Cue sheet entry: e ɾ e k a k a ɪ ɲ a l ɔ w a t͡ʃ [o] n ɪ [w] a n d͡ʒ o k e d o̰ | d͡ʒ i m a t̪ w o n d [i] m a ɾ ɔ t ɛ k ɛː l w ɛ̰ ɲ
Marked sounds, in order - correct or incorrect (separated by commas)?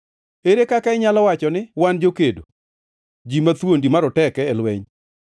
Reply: incorrect, correct, correct